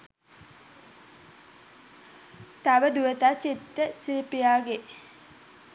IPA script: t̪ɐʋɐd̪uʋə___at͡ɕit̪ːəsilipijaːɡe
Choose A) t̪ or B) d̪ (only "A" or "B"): A